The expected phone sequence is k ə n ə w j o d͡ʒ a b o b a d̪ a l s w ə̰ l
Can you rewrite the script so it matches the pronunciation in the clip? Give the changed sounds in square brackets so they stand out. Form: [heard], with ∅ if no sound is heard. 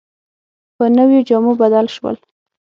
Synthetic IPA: [p] ə n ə w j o d͡ʒ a [m] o b a d̪ a l [ʃ] w ə̰ l

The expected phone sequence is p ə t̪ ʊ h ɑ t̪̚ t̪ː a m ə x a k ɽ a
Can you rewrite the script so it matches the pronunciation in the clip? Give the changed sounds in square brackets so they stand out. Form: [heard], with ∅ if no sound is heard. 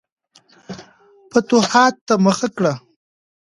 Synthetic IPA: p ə t̪ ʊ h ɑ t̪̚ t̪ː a m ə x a k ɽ a

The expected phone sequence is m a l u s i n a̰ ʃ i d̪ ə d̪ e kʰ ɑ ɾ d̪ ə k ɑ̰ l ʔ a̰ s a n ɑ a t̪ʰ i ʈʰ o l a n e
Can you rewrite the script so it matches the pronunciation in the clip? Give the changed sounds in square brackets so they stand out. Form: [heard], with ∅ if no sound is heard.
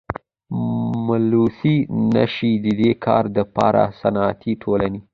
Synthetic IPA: m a l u s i n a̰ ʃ i d̪ ə d̪ e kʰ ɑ ɾ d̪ ə [p] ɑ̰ [ɾ] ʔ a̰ s a n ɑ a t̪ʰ i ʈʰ o l a n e

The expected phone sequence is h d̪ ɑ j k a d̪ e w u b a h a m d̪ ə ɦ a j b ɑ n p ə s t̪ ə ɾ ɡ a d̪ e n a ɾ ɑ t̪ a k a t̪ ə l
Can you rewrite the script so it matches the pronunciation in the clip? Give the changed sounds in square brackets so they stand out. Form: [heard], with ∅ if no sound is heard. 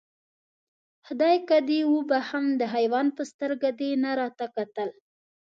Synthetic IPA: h d̪ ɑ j k a d̪ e w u b a h a m d̪ ə ɦ a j [w] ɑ n p ə s t̪ ə ɾ ɡ a d̪ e n a ɾ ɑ t̪ a k a t̪ ə l

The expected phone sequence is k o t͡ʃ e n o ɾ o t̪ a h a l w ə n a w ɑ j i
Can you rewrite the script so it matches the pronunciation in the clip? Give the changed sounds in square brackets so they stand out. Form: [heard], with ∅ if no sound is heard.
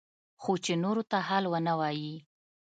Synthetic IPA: [x] o t͡ʃ e n o ɾ o t̪ a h a l w ə n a w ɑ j i

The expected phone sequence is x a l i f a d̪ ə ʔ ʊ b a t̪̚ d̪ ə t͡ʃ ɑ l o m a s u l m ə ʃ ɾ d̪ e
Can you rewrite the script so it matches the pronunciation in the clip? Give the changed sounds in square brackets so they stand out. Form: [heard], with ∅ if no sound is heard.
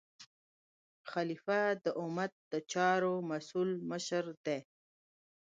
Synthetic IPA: x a l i f a d̪ ə ʔ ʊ [m] a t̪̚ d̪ ə t͡ʃ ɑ [ɾ] o m a s u l m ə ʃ ɾ d̪ e

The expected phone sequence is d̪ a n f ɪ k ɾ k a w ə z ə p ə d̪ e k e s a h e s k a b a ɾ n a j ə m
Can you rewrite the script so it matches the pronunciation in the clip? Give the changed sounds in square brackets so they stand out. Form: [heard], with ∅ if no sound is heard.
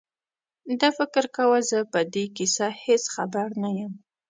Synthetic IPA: d̪ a [∅] f ɪ k ɾ k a w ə z ə p ə d̪ e k [i] s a h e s [x] a b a ɾ n a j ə m

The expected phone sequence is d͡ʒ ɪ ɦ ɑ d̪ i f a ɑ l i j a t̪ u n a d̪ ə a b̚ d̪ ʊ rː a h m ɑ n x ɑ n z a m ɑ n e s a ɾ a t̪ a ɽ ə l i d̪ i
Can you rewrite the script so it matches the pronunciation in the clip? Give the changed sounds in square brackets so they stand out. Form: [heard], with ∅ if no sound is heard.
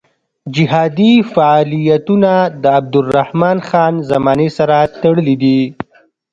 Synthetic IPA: d͡ʒ ɪ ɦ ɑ d̪ i f a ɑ l i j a t̪ u n a d̪ ə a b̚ d̪ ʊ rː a h m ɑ n x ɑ n z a m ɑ n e s a ɾ a t̪ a ɽ ə l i d̪ i

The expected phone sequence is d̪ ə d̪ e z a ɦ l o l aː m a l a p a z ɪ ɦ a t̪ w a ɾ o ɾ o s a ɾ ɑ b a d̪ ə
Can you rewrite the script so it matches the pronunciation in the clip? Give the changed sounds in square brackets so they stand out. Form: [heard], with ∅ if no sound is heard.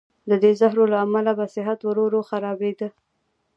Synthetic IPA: d̪ ə d̪ e z a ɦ [ɾ] o l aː m a l a [b] a [s] ɪ ɦ a t̪ w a ɾ o ɾ o [x] a ɾ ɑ b [e] d̪ ə

